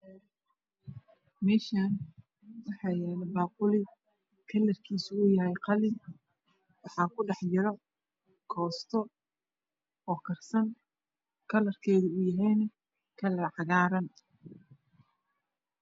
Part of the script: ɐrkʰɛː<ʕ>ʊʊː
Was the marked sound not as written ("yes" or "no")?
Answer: yes